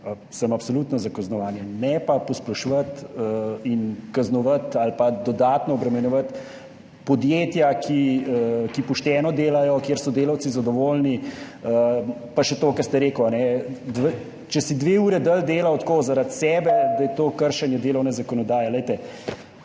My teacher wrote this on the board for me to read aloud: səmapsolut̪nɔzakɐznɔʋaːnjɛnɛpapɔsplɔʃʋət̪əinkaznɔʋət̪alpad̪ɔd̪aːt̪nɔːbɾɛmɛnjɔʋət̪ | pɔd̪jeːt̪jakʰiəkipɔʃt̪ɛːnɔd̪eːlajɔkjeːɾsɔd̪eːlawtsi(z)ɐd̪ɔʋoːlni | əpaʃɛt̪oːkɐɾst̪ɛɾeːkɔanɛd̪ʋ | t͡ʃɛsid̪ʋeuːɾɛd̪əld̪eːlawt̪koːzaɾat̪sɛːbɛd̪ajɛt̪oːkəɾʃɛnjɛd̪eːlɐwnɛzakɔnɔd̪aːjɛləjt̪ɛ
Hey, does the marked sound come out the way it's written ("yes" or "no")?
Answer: yes